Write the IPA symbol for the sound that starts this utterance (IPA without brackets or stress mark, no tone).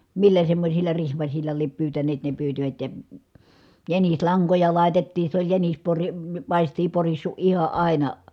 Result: m